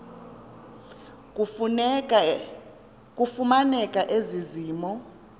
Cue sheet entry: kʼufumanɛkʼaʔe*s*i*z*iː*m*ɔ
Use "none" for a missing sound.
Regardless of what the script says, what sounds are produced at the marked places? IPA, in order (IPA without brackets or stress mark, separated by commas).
z, z, m